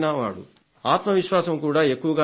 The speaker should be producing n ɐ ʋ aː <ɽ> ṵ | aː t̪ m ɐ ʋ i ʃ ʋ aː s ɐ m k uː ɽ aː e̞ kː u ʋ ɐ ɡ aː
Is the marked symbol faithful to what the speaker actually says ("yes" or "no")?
yes